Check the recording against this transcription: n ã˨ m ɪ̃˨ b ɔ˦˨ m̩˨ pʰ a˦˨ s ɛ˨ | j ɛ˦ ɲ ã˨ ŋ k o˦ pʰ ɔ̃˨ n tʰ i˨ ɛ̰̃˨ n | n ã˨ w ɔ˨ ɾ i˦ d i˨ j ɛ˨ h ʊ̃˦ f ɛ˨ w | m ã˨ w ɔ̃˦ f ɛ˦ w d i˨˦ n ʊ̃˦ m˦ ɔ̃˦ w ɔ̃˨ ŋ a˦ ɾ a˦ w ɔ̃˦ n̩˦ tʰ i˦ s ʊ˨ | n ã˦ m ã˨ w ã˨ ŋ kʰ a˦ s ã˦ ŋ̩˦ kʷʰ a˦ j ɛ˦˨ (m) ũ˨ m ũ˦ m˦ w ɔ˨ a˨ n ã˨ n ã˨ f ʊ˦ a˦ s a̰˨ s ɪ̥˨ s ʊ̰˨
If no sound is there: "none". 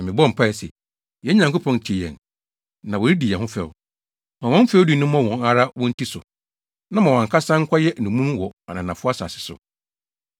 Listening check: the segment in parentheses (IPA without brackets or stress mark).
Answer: n